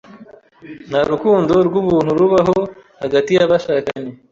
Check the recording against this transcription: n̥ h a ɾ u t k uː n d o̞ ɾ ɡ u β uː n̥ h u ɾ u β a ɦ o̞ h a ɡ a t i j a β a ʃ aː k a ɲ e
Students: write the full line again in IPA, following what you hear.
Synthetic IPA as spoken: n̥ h a ɾ u k uː n d o̞ ɾ ɡ u β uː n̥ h u ɾ u β a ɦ o̞ h a ɡ a t i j a β a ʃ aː k a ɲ e